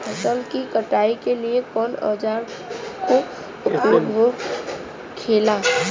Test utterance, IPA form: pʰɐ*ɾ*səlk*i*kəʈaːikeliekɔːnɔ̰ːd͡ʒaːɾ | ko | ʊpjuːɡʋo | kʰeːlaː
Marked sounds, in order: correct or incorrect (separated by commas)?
incorrect, correct